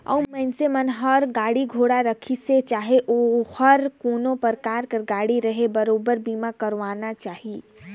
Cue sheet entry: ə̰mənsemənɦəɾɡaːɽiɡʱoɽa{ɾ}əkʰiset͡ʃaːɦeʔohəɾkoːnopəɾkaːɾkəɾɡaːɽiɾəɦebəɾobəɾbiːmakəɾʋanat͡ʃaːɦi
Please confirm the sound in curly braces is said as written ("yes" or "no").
yes